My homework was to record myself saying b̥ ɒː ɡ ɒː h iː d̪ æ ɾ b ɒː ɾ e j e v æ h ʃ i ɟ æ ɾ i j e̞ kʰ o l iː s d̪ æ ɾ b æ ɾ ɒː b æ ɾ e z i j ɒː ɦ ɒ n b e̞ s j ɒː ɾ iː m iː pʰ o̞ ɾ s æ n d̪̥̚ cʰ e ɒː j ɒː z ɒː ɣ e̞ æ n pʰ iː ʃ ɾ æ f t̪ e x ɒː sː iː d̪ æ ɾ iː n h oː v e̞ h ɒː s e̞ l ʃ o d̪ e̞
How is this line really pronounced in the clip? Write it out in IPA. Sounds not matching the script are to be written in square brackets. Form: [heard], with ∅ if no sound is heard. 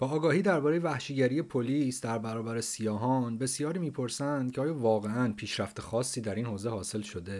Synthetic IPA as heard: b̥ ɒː ɡ ɒː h iː d̪ æ ɾ b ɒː ɾ e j e v æ h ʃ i ɟ æ ɾ i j e̞ [pʰ] o l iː s d̪ æ ɾ b æ ɾ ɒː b æ ɾ e [s] i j ɒː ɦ ɒ n b e̞ s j ɒː ɾ iː m iː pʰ o̞ ɾ s æ n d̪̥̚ cʰ e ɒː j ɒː [v] ɒː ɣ e̞ æ n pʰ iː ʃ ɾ æ f t̪ e x ɒː sː iː d̪ æ ɾ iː n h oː [z] e̞ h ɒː s e̞ l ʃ o d̪ e̞